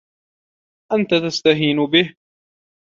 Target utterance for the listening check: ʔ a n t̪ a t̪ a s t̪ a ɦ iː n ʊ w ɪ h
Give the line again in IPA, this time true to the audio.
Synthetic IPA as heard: ʔ a n t̪ a t̪ a s t̪ a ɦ iː n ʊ b ɪ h